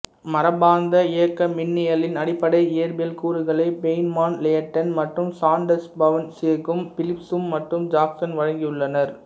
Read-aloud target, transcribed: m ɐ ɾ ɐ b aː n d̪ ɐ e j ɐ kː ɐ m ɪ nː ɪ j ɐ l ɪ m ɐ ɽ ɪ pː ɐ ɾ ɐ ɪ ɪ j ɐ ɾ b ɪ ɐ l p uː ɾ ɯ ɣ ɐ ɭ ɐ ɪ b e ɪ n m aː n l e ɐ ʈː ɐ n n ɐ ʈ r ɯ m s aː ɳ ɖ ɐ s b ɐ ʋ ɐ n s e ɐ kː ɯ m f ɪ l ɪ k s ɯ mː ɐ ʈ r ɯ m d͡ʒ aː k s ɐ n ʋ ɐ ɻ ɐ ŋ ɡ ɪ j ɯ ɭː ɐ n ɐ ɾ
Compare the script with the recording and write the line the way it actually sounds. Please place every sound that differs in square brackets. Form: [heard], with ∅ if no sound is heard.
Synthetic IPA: m ɐ ɾ ɐ b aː n d̪ ɐ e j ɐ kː ɐ m ɪ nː ɪ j ɐ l ɪ [n] ɐ ɽ ɪ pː ɐ [ɽ] ɐ ɪ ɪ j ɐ ɾ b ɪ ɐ l [k] uː ɾ ɯ ɣ ɐ ɭ ɐ ɪ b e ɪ n m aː n l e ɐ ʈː ɐ n [m] ɐ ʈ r ɯ m s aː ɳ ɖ ɐ s b ɐ ʋ ɐ n s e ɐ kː ɯ m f ɪ l ɪ [p] s ɯ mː ɐ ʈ r ɯ m d͡ʒ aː k s ɐ n ʋ ɐ ɻ ɐ ŋ ɡ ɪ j ɯ ɭː ɐ n ɐ ɾ